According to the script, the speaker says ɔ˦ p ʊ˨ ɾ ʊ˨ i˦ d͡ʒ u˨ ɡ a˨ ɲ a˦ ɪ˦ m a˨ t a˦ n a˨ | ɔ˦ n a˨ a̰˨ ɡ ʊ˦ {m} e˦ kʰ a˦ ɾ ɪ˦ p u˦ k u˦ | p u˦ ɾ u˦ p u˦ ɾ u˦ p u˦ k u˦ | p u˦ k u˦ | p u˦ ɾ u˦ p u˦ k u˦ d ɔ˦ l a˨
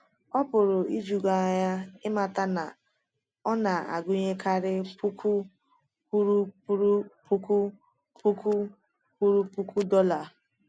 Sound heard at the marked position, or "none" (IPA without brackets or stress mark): ɲ